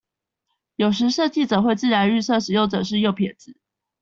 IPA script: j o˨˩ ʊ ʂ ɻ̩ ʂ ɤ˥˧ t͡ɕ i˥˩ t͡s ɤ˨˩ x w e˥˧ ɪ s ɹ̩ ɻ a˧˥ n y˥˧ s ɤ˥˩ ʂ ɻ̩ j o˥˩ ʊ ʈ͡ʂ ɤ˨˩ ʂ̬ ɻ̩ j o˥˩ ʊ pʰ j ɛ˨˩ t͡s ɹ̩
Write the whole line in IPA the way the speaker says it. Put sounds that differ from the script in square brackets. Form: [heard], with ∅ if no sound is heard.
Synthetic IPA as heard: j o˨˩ ʊ ʂ ɻ̩ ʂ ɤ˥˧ t͡ɕ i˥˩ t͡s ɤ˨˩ x w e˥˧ ɪ [t͡s] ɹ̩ ɻ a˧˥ n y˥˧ s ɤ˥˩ ʂ ɻ̩ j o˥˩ ʊ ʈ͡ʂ ɤ˨˩ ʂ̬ ɻ̩ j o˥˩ ʊ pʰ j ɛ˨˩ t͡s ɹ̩